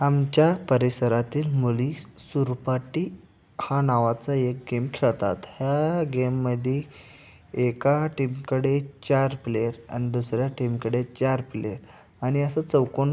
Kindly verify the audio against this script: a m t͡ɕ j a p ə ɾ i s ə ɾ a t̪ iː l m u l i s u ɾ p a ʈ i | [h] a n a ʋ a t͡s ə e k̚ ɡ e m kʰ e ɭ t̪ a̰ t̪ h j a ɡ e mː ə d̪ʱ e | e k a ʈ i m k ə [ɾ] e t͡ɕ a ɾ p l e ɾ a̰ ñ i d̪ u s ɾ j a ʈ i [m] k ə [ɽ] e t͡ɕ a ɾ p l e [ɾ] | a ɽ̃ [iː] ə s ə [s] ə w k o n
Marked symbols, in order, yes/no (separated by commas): yes, no, yes, yes, yes, no, no